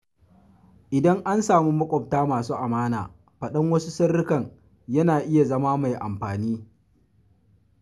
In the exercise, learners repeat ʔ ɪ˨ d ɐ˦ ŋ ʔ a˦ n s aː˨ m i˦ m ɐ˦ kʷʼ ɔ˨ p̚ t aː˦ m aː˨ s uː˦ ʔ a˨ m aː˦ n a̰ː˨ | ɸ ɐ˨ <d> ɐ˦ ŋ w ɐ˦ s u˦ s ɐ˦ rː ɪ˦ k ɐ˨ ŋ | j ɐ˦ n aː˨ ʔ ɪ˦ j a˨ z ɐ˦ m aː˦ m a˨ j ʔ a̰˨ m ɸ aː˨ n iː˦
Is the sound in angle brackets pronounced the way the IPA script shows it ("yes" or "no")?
no